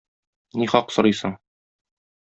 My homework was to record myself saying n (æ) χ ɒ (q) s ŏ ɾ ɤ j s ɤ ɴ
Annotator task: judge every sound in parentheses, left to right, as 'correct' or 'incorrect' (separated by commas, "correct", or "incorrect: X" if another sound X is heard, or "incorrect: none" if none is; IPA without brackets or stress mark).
incorrect: i, correct